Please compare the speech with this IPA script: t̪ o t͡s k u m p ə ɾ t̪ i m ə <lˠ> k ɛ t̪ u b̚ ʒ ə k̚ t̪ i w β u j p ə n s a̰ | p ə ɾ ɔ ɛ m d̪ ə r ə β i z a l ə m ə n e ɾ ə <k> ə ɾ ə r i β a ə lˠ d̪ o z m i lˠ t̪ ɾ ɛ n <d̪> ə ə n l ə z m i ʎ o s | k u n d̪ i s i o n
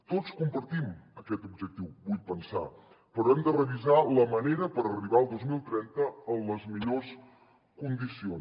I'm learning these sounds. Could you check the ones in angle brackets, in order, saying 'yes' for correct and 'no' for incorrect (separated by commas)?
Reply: no, no, no